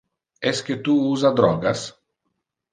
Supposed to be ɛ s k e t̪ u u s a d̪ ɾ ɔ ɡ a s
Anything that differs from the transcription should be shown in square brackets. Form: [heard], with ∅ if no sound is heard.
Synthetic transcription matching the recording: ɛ s k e t̪ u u [z] a d̪ ɾ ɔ ɡ a s